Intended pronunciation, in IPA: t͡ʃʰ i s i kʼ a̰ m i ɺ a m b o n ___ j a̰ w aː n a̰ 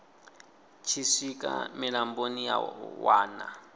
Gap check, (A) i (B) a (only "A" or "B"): A